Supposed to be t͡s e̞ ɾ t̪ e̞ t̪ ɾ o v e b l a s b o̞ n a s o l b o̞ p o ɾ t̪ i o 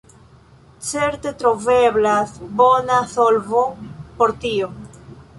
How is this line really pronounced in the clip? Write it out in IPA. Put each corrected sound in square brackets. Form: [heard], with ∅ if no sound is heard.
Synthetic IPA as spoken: t͡s e̞ ɾ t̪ e̞ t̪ ɾ o v e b l a s b o̞ n a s o l [v] o̞ p o ɾ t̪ i o

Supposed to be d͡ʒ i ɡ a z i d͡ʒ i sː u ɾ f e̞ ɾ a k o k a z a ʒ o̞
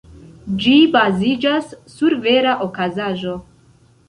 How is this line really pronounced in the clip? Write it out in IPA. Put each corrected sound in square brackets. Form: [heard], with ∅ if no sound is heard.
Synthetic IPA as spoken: d͡ʒ i [b] a z i d͡ʒ [a] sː u ɾ [v] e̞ ɾ a [ʔ] o k a z a ʒ o̞

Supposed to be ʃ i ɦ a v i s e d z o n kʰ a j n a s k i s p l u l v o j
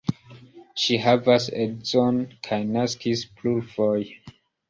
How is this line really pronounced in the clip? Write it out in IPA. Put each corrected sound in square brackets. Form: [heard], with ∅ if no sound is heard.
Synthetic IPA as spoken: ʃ i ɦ a v [a] s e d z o n kʰ a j n a s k i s p l u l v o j

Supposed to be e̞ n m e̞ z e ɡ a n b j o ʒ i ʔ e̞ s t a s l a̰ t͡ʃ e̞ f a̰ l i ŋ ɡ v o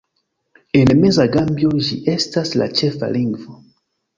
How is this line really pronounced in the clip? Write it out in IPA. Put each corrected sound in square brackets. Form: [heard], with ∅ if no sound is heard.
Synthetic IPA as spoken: e̞ n m e̞ z [a] ɡ a [m] b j o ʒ i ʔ e̞ s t a s l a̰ t͡ʃ e̞ f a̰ l i ŋ ɡ v o

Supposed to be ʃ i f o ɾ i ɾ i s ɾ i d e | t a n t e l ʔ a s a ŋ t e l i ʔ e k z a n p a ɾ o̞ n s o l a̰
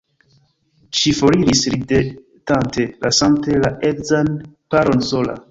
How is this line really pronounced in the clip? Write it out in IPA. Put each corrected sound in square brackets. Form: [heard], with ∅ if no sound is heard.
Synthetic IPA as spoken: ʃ i f o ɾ i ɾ i s ɾ i d e | t a n t e l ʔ a s a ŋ t e l [a] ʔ e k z a n p a ɾ o̞ n s o l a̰

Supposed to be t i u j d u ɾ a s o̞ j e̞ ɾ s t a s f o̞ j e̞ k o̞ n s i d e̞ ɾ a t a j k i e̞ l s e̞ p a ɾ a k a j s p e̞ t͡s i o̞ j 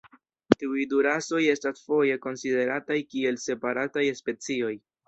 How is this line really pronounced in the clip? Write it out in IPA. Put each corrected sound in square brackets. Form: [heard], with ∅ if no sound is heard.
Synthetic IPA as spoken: t i u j d u ɾ a s o̞ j e̞ [∅] s t a s f o̞ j e̞ k o̞ n s i d e̞ ɾ a t a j k i e̞ l s e̞ p a ɾ a [t] a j s p e̞ t͡s i o̞ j

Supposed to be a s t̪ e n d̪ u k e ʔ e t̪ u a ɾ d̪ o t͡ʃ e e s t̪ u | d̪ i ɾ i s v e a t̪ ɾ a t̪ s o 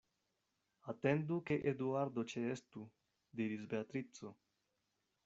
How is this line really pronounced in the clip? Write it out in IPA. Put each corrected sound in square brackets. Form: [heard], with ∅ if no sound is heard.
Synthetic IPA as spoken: a [∅] t̪ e n d̪ u k e ʔ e [d̪] u a ɾ d̪ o t͡ʃ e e s t̪ u | d̪ i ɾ i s [b] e a t̪ ɾ [i] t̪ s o

